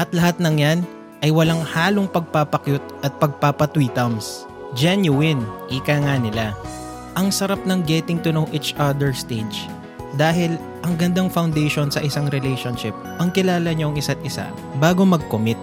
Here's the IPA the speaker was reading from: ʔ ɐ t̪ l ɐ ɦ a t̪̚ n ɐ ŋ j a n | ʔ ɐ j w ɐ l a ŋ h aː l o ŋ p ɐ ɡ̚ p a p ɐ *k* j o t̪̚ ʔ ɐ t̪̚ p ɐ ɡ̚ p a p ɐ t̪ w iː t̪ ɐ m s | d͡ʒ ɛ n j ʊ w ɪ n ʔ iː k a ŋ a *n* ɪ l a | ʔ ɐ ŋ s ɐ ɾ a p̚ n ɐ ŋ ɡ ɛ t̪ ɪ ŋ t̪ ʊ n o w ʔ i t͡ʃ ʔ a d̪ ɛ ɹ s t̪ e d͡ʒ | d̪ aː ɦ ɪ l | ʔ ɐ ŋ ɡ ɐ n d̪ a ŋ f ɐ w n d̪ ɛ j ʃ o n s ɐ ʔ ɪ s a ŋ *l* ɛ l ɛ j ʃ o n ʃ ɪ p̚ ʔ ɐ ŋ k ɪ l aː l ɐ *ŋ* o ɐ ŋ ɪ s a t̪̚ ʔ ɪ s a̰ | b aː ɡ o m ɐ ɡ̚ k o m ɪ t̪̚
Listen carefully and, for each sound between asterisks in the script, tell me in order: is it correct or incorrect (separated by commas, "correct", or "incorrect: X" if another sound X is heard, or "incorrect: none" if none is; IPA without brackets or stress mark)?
correct, correct, incorrect: ɾ, incorrect: ɲ